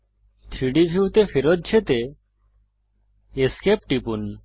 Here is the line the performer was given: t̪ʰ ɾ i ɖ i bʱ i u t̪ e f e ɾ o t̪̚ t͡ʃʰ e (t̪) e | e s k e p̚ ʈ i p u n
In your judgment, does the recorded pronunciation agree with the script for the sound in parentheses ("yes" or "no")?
yes